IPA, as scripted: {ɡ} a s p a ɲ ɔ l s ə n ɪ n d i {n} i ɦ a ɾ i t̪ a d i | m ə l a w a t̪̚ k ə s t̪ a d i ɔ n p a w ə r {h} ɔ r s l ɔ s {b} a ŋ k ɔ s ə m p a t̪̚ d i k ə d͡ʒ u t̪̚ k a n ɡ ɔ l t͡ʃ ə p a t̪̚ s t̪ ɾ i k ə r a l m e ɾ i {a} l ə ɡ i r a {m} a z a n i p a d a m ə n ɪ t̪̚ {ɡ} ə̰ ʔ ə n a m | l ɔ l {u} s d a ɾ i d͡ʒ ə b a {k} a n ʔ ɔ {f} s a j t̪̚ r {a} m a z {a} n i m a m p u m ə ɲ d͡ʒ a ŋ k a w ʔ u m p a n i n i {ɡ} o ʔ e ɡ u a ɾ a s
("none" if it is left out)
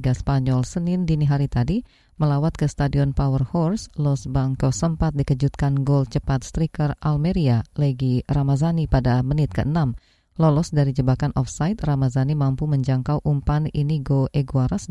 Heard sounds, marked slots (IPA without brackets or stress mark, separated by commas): ɡ, n, h, b, a, m, k, ɔ, k, f, a, a, ɡ